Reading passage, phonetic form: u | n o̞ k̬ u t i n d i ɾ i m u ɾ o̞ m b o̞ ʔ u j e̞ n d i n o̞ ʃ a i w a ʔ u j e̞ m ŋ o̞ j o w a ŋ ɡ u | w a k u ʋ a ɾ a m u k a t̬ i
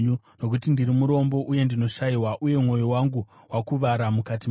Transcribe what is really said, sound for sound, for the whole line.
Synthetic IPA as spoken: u | n o̞ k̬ u t i n d i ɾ i m u ɾ o̞ m b o̞ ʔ u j e̞ n d i n o̞ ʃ a i w a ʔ u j e̞ m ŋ o̞ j o w a ŋ ɡ u | w a k u ʋ a ɾ a m u k a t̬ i

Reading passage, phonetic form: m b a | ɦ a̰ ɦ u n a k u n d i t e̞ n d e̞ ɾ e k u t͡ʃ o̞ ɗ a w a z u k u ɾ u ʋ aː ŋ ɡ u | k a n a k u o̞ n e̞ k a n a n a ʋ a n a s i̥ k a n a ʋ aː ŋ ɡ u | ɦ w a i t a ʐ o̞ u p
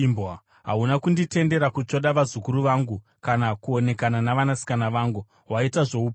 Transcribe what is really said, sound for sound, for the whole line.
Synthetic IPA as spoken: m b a | ɦ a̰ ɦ u n a k u n d i t e̞ n d e̞ ɾ a k u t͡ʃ o̞ ɗ a ʋ a z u k u ɾ u ʋ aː ŋ ɡ u | k a n a k u o̞ n e̞ k a n a n a ʋ a n a s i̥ k a n a ʋ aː ŋ ɡ u | ɦ w a i t a ʐ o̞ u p

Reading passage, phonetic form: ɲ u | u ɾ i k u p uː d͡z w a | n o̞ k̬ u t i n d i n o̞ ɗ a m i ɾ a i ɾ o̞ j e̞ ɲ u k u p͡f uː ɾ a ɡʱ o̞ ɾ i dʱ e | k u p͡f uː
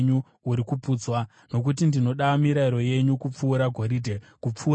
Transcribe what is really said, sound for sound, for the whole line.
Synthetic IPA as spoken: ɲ u | u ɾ i k u p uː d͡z w a | n o̞ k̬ u t i n d i n o̞ ɗ a m i ɾ a i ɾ o̞ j e̞ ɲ u k u p͡f uː ɾ a ɡʱ o̞ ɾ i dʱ e | k u p͡f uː

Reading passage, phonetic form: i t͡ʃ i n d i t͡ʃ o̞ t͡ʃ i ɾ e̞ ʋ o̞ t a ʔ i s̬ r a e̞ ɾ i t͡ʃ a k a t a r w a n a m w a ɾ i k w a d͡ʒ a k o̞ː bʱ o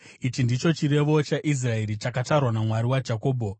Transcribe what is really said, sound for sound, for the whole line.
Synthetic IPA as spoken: i t͡ʃ i n d i t͡ʃ o̞ t͡ʃ i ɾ e̞ ʋ o̞ t͡ʃ a ʔ i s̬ r a e̞ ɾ i t͡ʃ a k a t a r w a n a m w a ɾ i w a d͡ʒ a k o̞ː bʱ o

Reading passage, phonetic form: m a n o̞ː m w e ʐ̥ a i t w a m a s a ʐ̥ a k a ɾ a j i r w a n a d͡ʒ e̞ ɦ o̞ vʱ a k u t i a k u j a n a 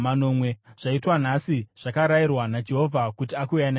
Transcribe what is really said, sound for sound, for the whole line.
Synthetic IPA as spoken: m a n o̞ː m w e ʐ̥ a i t w a n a s i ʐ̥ a k a ɾ a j i r w a n a d͡ʒ e̞ ɦ o̞ vʱ a k u t i a k u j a n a

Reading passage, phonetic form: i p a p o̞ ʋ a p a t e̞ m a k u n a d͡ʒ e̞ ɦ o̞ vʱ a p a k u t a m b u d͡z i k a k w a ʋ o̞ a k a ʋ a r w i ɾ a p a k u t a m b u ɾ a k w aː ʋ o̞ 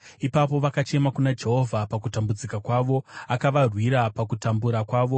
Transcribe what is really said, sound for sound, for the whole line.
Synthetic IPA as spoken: i p a p o̞ ʋ a k a t͡ʃ e̞ m a k u n a d͡ʒ e̞ ɦ o̞ vʱ a p a k u t a m b u d͡z i k a k w a ʋ o̞ a k a ʋ a r w i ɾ a p a k u t a m b u ɾ a k w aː ʋ o̞

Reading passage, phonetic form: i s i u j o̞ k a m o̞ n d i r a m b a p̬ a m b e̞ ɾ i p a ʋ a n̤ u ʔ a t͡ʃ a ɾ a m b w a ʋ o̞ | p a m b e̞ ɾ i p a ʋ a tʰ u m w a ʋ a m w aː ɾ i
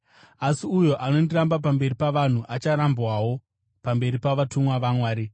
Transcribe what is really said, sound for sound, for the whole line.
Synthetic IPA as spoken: a s i u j o̞ ʔ a n o̞ n d i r a m b a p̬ a m b e̞ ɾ i p a ʋ a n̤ u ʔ a t͡ʃ a ɾ a m b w a w o̞ | p a m b e̞ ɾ i p a ʋ a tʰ u m w a ʋ a m w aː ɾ i

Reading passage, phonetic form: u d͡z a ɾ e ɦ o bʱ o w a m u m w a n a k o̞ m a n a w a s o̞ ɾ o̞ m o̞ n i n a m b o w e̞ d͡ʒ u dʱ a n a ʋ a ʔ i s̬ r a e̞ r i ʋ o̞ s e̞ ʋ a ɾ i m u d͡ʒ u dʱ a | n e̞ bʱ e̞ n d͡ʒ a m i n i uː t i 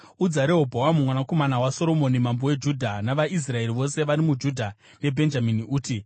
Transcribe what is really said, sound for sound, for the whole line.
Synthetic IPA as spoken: u d͡z a ɾ e ɦ o bʱ o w a m u m w a n a k o̞ m a n a w a s o̞ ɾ o̞ m o̞ n i m a m b o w e̞ d͡ʒ u dʱ a n a ʋ a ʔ i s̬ r a e̞ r i ʋ o̞ s e̞ ʋ a ɾ i m u d͡ʒ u dʱ a | n e̞ bʱ e̞ n d͡ʒ a m i n i uː t i

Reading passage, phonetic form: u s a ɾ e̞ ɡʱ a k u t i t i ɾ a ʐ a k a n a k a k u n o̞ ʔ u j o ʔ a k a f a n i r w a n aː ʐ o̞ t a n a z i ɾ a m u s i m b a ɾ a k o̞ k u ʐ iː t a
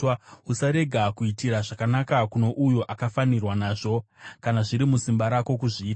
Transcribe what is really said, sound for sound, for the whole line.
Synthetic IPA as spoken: u s a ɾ e̞ ɡʱ a k u i t i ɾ a ʐ a k a n a k a k u n o̞ ʔ u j o ʔ a k a f a n i r w a n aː ʐ o̞ k a n a ʐ i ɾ i m u s i m b a ɾ a k o̞ k u ʐ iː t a

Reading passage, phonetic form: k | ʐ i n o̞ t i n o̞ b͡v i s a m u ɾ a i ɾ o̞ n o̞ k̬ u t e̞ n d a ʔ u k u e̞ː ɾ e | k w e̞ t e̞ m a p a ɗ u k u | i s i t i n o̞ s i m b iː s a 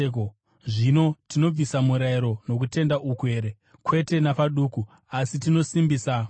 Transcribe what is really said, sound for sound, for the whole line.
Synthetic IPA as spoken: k | ʐ i n o̞ t i n o̞ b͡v i s a m u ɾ a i ɾ o̞ n o̞ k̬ u t e̞ n d a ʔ u k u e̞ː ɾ e | k w e̞ t e̞ n a p a ɗ u k u | a s i t i n o̞ s i m b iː s a

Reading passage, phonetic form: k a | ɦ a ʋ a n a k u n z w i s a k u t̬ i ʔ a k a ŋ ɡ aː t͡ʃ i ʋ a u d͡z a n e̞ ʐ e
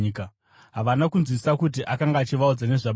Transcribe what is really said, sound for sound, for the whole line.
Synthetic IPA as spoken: k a | ɦ a ʋ a n a k u n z w i s a k u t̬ i ʔ a k a ŋ ɡ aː t͡ʃ i ʋ a u d͡z a n e̞ ʐ a

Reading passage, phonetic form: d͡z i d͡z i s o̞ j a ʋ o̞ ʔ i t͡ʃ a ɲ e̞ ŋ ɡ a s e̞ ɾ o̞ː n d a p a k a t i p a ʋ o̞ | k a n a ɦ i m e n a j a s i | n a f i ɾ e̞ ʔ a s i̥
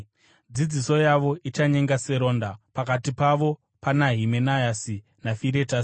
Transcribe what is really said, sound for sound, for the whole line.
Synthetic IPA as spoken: d͡z i d͡z i s o̞ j a ʋ o̞ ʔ i t͡ʃ a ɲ e̞ ŋ ɡ a s e̞ ɾ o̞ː n d a p a k a t i p a ʋ o̞ | p a n a ɦ i m e n a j a s i | n a f i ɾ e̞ t a s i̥

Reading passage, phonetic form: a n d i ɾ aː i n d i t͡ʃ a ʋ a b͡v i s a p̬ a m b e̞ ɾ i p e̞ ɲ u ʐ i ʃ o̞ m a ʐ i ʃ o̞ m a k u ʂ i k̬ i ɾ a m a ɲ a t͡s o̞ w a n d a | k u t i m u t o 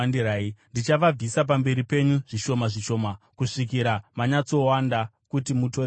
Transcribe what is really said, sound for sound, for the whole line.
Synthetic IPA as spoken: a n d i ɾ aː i n d i t͡ʃ a ʋ a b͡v i s a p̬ a m b e̞ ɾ i p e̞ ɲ u ʐ i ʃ o̞ m a ʐ i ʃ o̞ m a k u ʂ i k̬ i ɾ a m a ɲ a t͡s o̞ w a n d a | k u t i m u t o

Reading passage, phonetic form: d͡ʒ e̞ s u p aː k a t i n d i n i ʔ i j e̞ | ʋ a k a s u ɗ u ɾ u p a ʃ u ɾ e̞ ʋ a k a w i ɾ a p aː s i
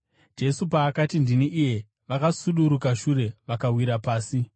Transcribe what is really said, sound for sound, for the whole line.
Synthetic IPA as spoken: d͡ʒ e̞ s u p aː k a t i n d i n i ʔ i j e̞ | ʋ a k a s u ɗ u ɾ u k a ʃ u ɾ e̞ ʋ a k a w i ɾ a p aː s i

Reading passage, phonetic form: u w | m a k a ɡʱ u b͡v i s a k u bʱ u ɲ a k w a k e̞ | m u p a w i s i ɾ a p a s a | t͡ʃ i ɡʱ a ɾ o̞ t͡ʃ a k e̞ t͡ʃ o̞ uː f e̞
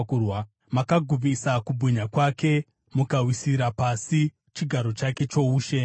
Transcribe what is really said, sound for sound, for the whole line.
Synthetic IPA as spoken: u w | m a k a ɡʱ u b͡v i s a k u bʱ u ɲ a k w a k e̞ | m u k a w i s i ɾ a p a s i | t͡ʃ i ɡʱ a ɾ o̞ t͡ʃ a k e̞ t͡ʃ o̞ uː ʃ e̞

